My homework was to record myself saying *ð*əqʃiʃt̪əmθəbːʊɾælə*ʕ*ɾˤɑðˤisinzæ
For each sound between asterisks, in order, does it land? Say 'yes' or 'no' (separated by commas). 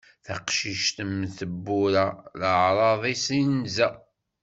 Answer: no, yes